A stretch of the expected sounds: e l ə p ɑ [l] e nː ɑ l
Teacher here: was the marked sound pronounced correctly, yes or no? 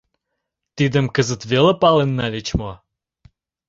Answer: yes